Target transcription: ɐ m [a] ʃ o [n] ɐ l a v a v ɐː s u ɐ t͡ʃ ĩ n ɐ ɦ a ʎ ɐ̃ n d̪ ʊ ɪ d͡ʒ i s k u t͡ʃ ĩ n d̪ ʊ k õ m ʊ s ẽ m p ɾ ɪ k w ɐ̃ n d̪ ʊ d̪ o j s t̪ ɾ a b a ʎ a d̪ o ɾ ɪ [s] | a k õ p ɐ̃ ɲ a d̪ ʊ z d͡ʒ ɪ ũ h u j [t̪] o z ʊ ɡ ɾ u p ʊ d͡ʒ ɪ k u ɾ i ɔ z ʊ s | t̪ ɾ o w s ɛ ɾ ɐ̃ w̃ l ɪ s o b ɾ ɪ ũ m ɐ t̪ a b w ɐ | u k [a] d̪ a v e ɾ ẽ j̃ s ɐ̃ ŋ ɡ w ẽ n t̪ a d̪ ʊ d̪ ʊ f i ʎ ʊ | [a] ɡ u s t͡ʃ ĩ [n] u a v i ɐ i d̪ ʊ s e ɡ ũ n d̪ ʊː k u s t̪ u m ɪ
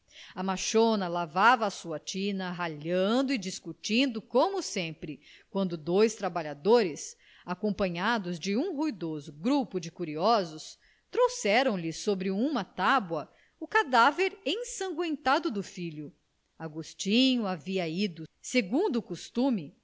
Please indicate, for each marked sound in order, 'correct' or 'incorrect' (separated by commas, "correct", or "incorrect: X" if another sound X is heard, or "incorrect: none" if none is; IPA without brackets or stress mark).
correct, correct, correct, incorrect: d̪, correct, correct, incorrect: ɲ